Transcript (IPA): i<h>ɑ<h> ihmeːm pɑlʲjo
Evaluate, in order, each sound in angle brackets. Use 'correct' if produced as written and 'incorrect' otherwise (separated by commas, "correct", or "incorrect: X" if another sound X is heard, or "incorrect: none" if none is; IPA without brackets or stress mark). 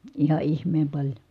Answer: correct, incorrect: none